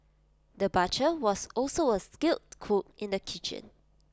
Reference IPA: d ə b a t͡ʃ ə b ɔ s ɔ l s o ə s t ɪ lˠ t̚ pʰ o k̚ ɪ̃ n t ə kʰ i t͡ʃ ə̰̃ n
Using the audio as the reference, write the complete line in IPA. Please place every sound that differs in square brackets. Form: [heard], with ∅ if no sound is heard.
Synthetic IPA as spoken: d ə b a t͡ʃ ə [w] ɔ s ɔ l s o ə s [k] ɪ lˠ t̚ [kʰ] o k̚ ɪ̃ n [d] ə kʰ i t͡ʃ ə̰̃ n